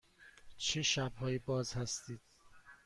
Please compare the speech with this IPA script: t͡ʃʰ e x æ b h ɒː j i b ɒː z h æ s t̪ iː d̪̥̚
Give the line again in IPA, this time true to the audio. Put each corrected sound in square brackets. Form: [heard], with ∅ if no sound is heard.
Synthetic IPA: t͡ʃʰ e [ʃ] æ b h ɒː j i b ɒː z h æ s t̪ iː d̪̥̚